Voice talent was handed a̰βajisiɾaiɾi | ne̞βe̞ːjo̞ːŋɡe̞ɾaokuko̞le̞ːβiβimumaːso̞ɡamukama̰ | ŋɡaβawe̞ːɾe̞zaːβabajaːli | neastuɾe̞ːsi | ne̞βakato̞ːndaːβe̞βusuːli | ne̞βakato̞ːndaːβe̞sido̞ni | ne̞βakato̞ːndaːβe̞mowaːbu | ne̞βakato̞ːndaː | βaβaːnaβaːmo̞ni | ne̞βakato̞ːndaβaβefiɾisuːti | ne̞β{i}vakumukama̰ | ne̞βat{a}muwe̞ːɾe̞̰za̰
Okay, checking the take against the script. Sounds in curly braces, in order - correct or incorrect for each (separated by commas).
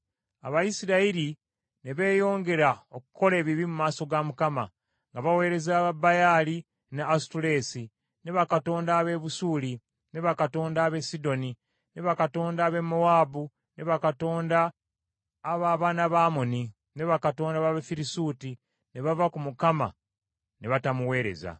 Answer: incorrect, correct